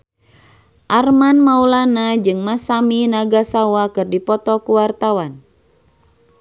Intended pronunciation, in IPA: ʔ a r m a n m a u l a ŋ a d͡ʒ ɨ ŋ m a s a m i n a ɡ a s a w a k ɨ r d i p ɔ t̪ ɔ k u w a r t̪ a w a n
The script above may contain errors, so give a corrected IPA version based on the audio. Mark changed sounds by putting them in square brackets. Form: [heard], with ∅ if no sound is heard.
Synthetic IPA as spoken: ʔ a r m a n m a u l a [n] a d͡ʒ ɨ ŋ m a s a m i n a ɡ a s a w a k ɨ r d i p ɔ t̪ ɔ k u w a r t̪ a w a n